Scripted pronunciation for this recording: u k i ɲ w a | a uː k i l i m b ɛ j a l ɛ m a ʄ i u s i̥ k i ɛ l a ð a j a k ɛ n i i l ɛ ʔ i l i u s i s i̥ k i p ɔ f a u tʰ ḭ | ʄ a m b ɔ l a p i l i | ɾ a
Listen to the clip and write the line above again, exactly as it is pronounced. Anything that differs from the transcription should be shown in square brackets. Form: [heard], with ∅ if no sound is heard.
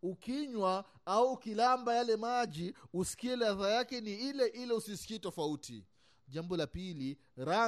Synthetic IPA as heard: u k i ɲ w a | a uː k i l [a] m b [a] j a l ɛ m a ʄ i u s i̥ k i ɛ l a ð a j a k ɛ n i i l ɛ ʔ i l [ɛ] u s i s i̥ k i [t] ɔ f a u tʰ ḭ | ʄ a m b ɔ l a p i l i | ɾ a